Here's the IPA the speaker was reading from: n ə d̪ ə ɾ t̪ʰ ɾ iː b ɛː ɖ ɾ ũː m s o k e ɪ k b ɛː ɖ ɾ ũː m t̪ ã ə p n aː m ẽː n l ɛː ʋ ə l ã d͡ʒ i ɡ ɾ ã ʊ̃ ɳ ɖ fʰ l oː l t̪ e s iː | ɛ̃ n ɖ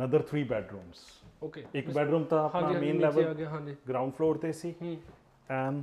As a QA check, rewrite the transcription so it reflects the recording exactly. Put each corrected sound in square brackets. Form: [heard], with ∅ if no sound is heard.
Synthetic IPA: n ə d̪ ə ɾ t̪ʰ ɾ iː b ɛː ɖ ɾ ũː m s o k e ɪ k b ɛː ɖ ɾ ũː m t̪ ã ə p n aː m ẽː n l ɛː ʋ ə l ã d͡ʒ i ɡ ɾ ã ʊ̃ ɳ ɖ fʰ l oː [ɾ] t̪ e s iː | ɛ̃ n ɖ